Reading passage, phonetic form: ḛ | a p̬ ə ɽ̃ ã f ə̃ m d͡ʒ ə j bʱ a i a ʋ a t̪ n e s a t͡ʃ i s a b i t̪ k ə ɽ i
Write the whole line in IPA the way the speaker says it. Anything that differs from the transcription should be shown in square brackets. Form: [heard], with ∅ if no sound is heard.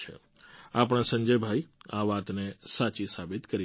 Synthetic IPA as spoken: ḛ | a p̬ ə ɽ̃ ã [s] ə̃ [ɲ] d͡ʒ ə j bʱ a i a ʋ a t̪ n e s a t͡ʃ i s a b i t̪ k ə [ɾ] i